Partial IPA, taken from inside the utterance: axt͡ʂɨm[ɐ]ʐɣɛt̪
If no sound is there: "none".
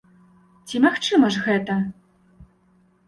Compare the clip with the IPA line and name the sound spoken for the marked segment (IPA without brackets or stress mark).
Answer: ɐ